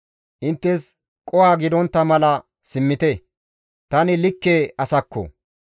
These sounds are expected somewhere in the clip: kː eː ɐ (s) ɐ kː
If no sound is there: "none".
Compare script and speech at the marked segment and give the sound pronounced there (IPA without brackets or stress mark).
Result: s